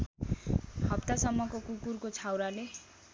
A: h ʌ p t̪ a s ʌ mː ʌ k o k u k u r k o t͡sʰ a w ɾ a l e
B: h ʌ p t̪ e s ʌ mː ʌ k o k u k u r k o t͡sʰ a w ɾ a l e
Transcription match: A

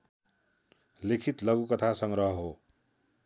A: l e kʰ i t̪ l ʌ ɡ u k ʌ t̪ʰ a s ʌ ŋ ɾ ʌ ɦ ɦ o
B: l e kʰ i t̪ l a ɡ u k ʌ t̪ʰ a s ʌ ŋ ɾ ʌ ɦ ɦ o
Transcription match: A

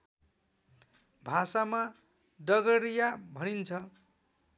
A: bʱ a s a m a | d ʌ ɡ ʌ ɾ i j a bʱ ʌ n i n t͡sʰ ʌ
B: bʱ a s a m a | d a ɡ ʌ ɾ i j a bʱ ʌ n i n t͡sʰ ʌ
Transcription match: A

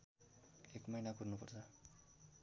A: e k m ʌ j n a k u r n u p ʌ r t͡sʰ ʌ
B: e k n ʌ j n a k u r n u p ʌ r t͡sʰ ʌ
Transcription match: A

